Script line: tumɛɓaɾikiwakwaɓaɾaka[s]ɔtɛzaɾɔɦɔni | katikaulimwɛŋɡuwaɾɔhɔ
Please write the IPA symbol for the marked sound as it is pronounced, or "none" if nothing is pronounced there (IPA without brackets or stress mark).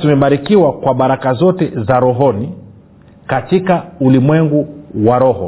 z